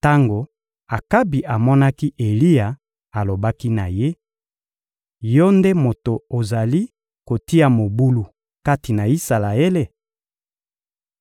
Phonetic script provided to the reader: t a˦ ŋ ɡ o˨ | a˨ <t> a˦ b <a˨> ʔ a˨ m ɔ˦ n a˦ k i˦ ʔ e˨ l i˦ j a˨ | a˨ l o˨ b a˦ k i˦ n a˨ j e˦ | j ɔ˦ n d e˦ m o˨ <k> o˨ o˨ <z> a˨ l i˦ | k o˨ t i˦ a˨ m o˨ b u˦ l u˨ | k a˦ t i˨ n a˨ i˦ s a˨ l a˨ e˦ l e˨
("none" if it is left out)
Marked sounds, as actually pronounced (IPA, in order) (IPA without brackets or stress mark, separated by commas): k, i˨, t, z